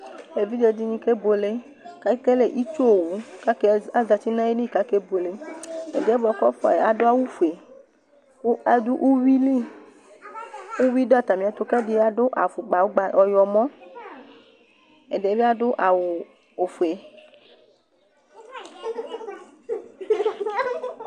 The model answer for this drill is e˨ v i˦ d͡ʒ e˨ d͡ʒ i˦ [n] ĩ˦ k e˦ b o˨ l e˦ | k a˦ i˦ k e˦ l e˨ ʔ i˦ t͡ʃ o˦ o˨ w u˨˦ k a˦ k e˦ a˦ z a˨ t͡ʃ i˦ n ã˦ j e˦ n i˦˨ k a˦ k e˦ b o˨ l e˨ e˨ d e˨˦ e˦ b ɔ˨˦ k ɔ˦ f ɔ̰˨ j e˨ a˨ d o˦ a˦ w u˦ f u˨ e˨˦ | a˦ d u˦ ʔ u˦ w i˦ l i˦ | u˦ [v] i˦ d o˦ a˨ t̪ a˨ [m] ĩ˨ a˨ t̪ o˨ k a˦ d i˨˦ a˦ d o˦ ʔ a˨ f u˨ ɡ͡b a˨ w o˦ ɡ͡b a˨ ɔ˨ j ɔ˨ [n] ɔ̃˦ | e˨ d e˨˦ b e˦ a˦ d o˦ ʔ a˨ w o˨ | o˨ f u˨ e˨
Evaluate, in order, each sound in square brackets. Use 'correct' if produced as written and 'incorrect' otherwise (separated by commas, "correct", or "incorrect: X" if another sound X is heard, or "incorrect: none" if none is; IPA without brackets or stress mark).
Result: incorrect: ɲ, incorrect: w, correct, incorrect: m